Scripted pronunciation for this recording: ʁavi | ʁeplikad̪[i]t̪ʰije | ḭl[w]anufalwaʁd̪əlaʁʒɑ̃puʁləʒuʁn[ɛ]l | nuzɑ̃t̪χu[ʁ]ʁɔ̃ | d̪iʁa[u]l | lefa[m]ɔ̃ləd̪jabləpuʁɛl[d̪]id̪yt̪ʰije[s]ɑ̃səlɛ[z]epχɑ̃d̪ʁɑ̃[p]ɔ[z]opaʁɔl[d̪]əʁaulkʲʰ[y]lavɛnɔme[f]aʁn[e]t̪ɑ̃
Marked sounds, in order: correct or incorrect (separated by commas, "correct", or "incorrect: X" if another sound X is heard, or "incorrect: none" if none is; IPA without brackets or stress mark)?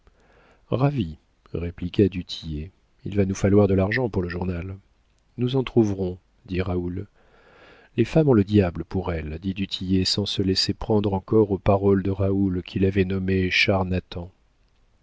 incorrect: y, incorrect: v, incorrect: a, incorrect: v, correct, correct, correct, correct, incorrect: s, incorrect: k, incorrect: ʁ, correct, incorrect: i, incorrect: ʃ, incorrect: a